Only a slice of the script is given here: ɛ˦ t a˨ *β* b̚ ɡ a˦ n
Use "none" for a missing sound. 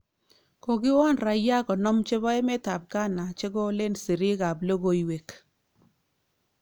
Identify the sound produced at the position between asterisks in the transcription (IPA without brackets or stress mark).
none